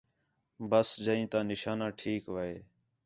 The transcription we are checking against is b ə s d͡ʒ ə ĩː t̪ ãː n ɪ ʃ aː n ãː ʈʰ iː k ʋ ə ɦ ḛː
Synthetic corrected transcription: b ə s d͡ʒ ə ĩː t̪ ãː n ɪ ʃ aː n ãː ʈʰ iː k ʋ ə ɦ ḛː